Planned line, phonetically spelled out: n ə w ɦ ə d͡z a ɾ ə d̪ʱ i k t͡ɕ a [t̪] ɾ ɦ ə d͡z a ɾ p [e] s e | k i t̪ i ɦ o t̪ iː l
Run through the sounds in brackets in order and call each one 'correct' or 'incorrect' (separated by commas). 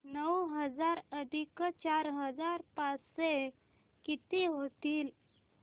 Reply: incorrect, incorrect